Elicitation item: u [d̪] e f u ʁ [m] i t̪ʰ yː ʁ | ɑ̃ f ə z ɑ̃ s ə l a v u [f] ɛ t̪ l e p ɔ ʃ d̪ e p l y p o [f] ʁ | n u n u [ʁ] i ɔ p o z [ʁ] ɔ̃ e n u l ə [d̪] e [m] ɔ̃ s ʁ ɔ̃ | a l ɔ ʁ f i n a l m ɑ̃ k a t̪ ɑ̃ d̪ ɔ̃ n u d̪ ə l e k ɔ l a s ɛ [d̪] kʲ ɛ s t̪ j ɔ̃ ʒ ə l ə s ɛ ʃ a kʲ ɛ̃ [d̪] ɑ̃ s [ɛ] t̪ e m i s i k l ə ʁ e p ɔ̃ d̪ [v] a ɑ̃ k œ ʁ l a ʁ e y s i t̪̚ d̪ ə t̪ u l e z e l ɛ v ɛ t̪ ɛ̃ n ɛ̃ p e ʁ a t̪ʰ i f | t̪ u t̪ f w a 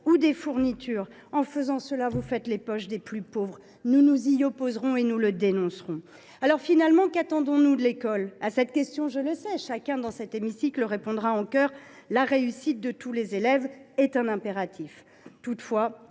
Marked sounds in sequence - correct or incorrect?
correct, incorrect, correct, incorrect, incorrect, correct, correct, incorrect, incorrect, correct, correct, incorrect

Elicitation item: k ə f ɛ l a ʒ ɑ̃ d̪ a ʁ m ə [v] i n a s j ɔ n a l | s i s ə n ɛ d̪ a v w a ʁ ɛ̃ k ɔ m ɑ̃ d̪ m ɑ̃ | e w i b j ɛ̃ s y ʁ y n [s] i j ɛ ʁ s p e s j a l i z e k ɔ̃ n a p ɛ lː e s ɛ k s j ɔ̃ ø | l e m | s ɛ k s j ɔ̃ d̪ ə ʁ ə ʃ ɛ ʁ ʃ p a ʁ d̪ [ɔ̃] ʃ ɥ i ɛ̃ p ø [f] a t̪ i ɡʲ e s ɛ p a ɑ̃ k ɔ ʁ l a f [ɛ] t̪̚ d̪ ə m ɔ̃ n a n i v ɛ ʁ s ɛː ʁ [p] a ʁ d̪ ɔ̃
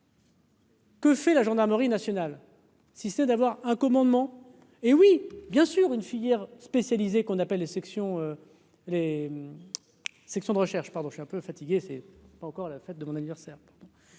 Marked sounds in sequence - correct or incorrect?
incorrect, incorrect, correct, correct, correct, correct

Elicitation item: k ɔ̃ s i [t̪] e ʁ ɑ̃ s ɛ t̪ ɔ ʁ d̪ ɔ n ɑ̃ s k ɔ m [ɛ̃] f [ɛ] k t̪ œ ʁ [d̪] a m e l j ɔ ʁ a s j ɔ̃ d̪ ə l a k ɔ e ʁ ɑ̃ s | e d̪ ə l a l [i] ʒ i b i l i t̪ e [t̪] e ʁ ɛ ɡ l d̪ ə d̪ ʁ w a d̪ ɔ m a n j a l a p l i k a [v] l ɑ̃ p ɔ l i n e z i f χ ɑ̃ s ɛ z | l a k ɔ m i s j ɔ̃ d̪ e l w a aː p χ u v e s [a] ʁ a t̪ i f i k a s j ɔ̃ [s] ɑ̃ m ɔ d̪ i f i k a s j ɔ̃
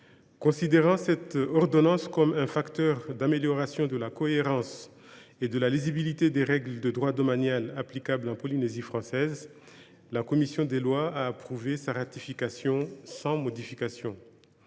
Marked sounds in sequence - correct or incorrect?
incorrect, correct, incorrect, correct, correct, incorrect, incorrect, correct, correct

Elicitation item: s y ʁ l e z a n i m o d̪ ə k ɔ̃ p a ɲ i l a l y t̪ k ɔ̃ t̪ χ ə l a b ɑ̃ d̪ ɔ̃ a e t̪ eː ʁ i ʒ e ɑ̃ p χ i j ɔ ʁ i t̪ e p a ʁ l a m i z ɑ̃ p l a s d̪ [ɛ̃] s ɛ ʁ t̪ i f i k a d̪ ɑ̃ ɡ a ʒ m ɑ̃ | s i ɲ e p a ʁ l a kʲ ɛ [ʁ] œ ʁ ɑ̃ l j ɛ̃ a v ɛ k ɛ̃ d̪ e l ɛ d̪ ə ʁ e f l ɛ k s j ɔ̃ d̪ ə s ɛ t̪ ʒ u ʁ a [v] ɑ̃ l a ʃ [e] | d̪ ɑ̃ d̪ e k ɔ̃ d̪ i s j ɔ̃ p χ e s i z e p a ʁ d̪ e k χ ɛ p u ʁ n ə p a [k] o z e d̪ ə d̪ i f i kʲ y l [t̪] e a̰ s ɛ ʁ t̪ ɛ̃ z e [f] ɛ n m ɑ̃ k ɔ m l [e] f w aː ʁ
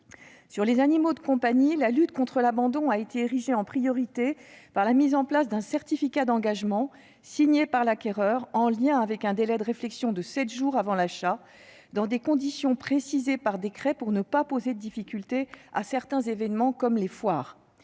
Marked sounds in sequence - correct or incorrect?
correct, correct, correct, incorrect, incorrect, correct, incorrect, correct

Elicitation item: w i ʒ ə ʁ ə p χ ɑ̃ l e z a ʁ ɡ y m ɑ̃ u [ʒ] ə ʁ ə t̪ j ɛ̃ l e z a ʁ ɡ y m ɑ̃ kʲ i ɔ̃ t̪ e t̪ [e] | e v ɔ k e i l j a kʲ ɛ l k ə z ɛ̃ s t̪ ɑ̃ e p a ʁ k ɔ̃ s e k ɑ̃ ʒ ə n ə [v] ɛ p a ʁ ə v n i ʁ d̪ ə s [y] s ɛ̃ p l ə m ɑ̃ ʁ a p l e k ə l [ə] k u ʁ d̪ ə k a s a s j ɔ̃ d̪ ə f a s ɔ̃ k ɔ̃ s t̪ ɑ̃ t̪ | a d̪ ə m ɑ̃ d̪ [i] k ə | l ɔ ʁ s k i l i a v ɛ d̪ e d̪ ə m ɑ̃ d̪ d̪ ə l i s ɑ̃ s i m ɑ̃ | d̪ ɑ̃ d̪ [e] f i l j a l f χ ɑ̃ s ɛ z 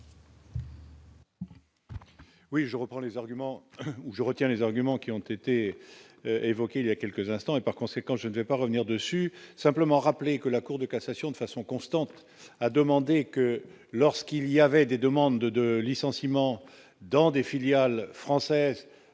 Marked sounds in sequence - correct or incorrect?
correct, correct, correct, correct, incorrect, incorrect, correct

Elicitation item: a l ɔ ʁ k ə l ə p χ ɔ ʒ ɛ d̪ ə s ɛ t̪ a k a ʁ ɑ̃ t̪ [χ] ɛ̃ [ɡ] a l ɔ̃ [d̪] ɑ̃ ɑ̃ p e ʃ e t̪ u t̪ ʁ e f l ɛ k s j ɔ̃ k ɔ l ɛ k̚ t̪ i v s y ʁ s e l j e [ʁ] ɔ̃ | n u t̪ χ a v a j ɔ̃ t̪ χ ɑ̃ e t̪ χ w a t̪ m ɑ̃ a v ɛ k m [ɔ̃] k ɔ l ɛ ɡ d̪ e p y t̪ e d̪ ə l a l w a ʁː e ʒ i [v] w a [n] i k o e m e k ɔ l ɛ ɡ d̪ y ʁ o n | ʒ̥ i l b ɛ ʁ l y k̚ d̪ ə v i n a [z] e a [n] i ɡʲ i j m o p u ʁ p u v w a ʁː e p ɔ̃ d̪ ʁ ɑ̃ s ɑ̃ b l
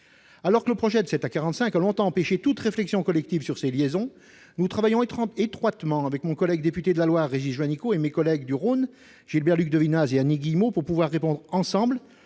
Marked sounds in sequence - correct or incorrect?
incorrect, incorrect, incorrect, incorrect, correct, incorrect, correct, correct, correct

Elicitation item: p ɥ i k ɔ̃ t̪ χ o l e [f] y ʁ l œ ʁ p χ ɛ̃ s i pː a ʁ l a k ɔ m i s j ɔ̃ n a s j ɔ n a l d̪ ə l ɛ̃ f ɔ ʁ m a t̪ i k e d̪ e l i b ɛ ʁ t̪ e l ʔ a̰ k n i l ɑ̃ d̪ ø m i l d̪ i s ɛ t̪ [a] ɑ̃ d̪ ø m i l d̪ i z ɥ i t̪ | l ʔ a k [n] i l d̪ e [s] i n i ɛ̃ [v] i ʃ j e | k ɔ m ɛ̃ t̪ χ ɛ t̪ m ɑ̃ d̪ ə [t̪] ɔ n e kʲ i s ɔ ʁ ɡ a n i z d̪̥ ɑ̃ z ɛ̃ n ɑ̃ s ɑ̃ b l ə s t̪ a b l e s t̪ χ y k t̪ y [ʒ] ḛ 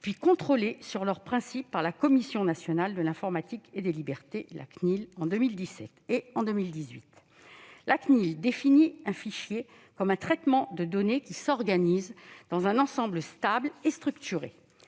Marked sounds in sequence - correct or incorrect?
incorrect, incorrect, correct, incorrect, incorrect, incorrect, incorrect

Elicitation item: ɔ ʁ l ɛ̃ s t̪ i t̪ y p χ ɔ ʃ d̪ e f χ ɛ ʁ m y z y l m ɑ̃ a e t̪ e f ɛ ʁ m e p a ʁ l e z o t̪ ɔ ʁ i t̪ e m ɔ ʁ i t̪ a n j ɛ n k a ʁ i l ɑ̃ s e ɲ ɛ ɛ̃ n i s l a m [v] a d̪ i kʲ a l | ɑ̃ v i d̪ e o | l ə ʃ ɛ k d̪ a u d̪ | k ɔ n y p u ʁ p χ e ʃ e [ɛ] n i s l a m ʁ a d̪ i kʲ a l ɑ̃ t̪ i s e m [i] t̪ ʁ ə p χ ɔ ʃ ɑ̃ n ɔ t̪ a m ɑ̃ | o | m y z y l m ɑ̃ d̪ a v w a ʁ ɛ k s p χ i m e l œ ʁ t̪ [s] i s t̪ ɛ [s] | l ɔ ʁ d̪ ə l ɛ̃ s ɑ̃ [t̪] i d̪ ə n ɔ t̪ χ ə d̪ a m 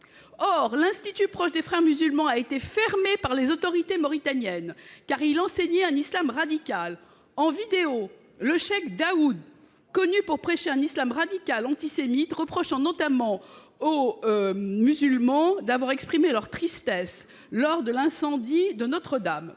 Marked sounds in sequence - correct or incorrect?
incorrect, incorrect, correct, incorrect, correct, incorrect

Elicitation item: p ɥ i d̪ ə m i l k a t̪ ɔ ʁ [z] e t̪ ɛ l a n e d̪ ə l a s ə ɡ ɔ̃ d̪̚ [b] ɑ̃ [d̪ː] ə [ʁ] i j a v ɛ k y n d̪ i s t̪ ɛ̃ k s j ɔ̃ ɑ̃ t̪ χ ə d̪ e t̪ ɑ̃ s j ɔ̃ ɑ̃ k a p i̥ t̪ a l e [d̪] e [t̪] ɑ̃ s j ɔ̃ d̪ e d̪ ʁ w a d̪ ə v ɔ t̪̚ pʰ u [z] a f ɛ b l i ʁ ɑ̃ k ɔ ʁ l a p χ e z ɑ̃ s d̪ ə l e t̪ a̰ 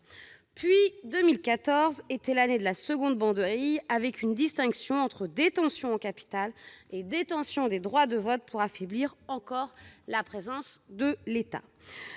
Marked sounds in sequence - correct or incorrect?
correct, correct, incorrect, correct, correct, correct, incorrect

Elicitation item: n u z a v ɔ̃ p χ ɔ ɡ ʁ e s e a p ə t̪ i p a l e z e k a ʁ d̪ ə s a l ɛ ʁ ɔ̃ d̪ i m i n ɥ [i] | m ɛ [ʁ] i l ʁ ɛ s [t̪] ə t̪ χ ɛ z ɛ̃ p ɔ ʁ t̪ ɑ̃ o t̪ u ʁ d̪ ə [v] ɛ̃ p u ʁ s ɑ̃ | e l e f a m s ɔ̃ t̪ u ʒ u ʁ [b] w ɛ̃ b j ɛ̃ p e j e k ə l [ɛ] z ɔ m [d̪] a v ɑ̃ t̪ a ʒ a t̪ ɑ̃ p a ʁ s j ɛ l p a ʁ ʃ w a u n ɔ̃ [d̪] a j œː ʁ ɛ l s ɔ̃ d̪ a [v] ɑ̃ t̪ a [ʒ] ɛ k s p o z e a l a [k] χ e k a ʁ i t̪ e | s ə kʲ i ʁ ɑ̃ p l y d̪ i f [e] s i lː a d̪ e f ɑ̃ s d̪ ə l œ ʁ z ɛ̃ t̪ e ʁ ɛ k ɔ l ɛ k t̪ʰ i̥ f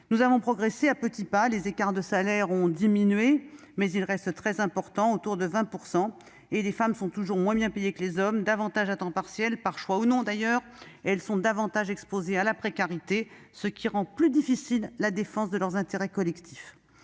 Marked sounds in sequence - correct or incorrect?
incorrect, incorrect, correct, correct, incorrect, incorrect, correct, correct, correct, correct, incorrect, incorrect

